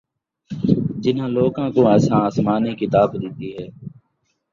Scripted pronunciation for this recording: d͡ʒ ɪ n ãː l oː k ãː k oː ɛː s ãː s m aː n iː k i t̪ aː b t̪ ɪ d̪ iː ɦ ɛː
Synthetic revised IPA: d͡ʒ ɪ n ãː l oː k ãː k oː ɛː s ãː s m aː n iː k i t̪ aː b d̪ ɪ t̪ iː ɦ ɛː